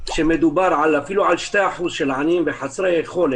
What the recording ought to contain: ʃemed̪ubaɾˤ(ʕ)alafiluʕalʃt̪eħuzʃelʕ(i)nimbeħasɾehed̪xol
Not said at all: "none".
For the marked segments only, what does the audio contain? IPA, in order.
ʕ, a

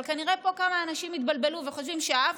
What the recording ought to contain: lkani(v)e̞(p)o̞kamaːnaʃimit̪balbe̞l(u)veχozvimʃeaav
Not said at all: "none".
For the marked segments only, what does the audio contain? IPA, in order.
ʁ, p, u

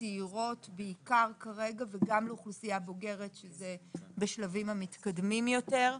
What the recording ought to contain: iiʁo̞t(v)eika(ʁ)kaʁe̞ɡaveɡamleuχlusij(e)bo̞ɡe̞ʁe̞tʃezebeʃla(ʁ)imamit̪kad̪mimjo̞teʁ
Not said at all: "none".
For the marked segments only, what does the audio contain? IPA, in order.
b, ʁ, a, v

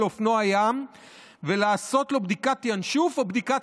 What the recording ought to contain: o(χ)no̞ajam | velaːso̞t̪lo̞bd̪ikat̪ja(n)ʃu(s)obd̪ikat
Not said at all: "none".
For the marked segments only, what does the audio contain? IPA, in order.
f, n, f

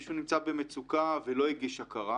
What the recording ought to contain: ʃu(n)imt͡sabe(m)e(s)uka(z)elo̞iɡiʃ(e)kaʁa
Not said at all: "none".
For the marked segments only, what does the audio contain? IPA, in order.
n, m, t͡s, v, a

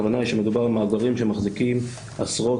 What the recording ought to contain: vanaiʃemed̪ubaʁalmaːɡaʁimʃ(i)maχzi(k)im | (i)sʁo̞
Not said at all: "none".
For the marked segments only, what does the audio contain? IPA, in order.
e, k, a

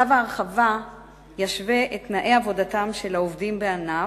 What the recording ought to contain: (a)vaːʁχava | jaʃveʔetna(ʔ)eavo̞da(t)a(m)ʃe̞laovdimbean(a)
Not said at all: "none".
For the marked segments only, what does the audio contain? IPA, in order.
a, ʔ, t, m, a

